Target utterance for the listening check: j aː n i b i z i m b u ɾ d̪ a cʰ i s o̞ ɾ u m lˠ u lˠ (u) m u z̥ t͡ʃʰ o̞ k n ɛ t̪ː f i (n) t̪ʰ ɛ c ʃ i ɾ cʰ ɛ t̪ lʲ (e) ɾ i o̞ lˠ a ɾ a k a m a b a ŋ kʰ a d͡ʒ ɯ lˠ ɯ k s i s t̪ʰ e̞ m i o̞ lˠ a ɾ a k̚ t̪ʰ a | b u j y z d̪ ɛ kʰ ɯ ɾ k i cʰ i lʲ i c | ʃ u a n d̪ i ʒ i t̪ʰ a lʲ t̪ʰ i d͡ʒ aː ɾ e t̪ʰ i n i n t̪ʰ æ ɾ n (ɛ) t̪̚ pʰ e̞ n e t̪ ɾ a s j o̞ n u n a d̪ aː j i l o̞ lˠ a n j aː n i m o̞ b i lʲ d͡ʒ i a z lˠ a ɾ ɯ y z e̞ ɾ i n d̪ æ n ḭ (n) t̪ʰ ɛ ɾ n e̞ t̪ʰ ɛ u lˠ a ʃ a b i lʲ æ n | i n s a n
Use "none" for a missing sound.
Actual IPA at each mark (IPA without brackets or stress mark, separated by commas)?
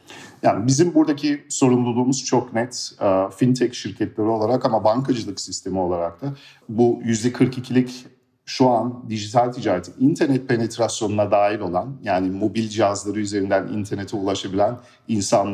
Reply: uː, n, e, ɛ, n